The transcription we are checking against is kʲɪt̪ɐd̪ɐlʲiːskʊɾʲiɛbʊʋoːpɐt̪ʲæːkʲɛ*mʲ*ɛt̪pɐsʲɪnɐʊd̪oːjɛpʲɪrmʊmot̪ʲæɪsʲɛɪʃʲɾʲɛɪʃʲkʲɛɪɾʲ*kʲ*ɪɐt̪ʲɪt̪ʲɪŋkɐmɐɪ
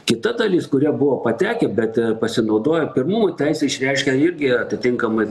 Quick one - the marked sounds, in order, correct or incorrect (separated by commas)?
incorrect, incorrect